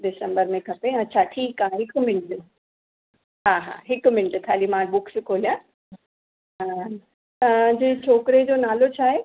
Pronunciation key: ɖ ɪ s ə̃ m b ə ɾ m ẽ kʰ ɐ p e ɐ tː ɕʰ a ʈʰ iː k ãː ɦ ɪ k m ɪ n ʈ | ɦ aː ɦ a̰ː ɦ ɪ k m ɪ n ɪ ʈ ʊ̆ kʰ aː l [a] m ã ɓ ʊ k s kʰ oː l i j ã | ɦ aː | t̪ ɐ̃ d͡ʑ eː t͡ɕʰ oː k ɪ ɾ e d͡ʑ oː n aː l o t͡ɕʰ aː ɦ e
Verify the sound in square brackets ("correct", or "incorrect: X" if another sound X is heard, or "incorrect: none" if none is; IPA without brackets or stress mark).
incorrect: i